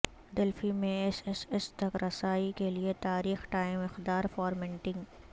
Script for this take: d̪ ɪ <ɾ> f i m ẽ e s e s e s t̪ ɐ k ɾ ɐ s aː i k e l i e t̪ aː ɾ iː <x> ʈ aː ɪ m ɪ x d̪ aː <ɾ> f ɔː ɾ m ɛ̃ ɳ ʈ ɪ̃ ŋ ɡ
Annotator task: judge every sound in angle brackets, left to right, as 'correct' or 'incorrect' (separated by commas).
incorrect, correct, correct